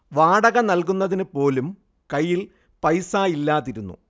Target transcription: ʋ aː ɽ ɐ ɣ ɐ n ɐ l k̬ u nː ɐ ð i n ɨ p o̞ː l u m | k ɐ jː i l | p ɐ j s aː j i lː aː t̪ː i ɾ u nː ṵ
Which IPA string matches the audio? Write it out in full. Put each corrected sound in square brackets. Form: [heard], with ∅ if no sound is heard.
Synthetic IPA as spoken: ʋ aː ɽ ɐ ɣ ɐ n ɐ l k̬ u nː ɐ ð i n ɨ p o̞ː l u m | k ɐ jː i l | p ɐ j s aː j i lː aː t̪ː i ɾ u nː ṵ